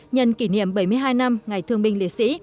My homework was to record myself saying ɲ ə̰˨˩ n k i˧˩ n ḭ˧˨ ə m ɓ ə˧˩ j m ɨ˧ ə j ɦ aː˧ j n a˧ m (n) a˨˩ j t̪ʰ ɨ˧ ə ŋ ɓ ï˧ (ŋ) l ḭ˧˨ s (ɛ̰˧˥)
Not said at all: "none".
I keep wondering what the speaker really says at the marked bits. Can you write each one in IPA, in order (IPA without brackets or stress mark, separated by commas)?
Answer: ŋ, ŋ, ḭ˧˥